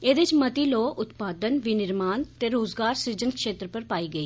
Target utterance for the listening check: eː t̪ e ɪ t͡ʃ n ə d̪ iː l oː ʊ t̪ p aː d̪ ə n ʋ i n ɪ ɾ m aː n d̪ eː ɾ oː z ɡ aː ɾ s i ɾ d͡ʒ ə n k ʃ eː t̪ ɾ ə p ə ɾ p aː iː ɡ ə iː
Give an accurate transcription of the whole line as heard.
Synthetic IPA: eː d̪ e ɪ t͡ʃ m ə t̪ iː l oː ʊ t̪ p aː d̪ ə n ʋ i n ɪ ɾ m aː n t̪ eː ɾ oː z ɡ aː ɾ s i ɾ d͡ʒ ə n k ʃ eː t̪ ɾ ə p ə ɾ p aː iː ɡ ə iː